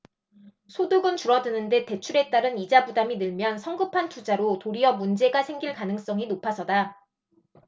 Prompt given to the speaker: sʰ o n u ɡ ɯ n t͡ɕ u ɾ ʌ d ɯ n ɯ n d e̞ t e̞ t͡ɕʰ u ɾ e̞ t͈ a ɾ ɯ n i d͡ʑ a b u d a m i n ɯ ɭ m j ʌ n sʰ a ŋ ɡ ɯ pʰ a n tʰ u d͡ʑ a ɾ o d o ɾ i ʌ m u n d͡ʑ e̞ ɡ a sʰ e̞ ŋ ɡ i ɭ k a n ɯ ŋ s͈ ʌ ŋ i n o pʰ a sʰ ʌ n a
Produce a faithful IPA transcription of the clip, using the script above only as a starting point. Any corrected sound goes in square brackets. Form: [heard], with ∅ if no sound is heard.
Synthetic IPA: sʰ o [d] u ɡ ɯ n t͡ɕ u ɾ ʌ d ɯ n ɯ n d e̞ t e̞ t͡ɕʰ u ɾ e̞ t͈ a ɾ ɯ n i d͡ʑ a b u d a m i n ɯ ɭ m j ʌ n sʰ [ʌ] ŋ ɡ ɯ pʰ a n tʰ u d͡ʑ a ɾ o [t] o ɾ i ʌ m u n d͡ʑ e̞ ɡ a sʰ e̞ ŋ ɡ i ɭ k a n ɯ ŋ s͈ ʌ ŋ i n o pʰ a sʰ ʌ [d] a